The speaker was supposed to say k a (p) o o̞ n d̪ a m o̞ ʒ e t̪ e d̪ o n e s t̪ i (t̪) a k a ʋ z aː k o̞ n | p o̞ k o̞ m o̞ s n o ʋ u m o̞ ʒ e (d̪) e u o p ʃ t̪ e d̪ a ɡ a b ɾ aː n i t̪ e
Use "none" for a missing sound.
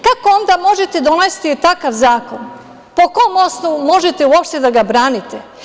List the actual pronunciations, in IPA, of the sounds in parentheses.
k, t̪, t̪

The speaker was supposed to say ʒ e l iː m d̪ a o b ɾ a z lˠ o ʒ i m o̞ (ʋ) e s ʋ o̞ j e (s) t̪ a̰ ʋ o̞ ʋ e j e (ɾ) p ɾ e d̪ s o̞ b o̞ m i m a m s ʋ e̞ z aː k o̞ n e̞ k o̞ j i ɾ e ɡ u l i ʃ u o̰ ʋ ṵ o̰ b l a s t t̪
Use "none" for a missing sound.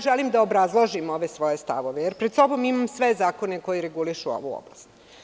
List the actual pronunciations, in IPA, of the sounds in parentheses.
ʋ, s, ɾ

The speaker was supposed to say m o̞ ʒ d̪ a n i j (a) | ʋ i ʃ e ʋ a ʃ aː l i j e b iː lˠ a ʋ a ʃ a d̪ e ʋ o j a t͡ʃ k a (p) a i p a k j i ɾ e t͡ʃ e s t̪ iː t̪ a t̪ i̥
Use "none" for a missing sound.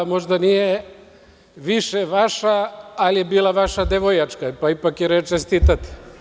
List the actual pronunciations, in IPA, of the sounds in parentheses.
e, p

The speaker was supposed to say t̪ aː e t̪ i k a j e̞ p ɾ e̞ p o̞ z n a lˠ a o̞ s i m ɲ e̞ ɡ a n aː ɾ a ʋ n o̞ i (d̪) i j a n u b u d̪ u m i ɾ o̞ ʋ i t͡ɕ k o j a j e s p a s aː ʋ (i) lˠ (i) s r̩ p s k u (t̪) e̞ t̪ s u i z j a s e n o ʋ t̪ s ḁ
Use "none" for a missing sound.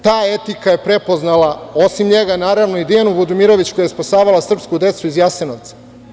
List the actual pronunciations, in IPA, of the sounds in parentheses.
d̪, a, a, d̪

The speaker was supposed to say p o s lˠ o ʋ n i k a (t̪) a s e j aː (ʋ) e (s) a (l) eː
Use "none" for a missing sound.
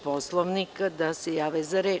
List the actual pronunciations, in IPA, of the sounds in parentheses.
d̪, ʋ, z, ɾ

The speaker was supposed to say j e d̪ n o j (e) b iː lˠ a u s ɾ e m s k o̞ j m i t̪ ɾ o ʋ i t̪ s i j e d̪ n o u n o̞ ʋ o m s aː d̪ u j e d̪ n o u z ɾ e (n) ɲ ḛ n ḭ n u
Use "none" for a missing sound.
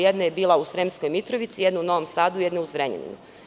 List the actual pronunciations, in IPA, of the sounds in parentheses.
e, none

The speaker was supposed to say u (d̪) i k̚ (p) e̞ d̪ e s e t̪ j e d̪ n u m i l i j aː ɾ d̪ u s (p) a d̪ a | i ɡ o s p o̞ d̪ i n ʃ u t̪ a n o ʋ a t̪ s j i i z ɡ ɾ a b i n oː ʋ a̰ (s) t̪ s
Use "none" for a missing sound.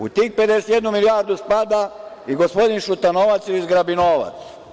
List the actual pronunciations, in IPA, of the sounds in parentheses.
t̪, p, p, none

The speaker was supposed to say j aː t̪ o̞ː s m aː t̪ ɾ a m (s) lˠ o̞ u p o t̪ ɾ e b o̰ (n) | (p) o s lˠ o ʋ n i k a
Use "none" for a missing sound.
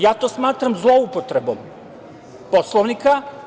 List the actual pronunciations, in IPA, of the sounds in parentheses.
z, m, p

